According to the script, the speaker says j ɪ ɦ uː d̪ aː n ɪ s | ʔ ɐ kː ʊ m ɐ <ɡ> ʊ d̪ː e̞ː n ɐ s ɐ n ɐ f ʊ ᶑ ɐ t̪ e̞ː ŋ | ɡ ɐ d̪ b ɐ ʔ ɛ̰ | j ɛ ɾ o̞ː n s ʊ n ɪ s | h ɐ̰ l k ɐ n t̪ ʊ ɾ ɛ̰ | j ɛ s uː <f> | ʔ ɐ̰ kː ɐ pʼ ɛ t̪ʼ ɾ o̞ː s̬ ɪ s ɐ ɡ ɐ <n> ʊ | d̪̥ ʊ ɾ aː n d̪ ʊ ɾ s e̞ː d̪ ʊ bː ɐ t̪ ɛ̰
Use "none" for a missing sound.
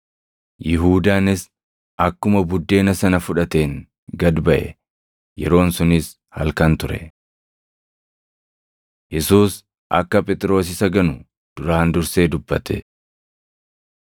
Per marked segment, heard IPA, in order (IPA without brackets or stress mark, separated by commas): b, s, n